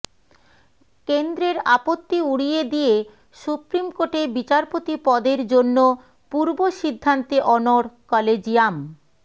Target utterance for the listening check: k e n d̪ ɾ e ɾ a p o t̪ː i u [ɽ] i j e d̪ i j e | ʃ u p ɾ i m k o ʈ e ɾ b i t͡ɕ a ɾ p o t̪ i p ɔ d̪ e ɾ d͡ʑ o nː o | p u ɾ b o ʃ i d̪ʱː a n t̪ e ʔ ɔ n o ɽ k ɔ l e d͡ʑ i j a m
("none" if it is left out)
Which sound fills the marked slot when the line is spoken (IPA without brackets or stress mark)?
ɽ